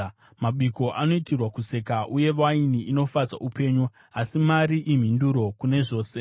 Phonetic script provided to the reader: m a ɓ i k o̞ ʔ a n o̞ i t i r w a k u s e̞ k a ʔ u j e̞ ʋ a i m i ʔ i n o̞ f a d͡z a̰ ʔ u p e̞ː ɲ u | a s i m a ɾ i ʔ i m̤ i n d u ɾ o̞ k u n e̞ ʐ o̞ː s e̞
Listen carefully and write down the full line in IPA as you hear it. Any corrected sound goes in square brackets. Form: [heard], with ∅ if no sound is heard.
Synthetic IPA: m a ɓ i k o̞ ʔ a n o̞ i t i r w a k u s e̞ k a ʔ u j e̞ ʋ a i [n] i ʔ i n o̞ f a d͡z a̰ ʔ u p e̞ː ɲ u | a s i m a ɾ i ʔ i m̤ i n d u ɾ o̞ k u n e̞ ʐ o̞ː s e̞